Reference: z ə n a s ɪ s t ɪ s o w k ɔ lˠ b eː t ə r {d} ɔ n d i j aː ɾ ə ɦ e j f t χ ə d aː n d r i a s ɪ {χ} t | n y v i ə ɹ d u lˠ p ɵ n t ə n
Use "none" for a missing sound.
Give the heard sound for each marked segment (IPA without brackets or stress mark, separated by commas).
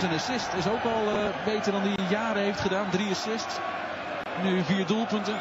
d, s